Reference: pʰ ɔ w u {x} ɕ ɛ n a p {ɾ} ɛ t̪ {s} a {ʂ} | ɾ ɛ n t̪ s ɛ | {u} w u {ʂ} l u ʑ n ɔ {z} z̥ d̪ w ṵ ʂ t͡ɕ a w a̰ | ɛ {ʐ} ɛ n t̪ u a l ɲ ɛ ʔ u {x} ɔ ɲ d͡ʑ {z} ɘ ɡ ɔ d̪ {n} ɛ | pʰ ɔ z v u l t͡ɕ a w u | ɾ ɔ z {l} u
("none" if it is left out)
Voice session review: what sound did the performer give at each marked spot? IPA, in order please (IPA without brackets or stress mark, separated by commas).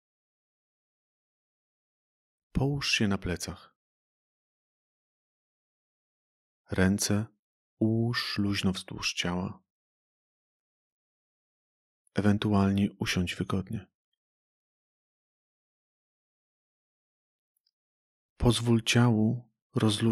ʂ, l, s, x, u, ʂ, v, v, ɕ, v, ɲ, l